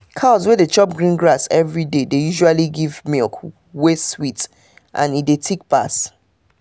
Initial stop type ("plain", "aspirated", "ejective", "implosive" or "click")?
aspirated